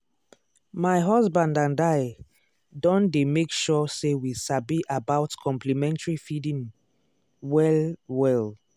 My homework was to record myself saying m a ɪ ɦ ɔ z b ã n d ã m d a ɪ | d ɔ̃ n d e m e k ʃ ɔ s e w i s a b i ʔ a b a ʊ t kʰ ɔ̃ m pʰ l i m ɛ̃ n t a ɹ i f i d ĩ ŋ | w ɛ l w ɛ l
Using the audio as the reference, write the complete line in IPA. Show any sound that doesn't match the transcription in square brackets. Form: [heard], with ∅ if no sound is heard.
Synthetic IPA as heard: m a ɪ ɦ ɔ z b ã n d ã [n] d a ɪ | d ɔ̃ n d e m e k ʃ ɔ s e w i s a b i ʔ a b a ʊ t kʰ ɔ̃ m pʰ l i m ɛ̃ n t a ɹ i f i d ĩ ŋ | w ɛ l w ɛ l